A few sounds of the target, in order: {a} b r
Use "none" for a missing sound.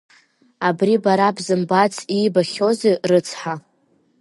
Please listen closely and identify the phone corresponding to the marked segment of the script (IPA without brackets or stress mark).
a